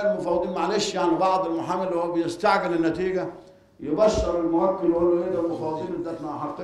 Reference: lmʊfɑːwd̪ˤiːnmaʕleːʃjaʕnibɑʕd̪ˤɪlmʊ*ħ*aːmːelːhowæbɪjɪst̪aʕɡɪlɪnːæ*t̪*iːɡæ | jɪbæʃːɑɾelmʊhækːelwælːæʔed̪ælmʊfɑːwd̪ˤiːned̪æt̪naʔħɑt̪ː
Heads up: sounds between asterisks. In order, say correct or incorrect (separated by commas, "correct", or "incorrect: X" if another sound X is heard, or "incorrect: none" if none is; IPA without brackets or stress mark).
correct, correct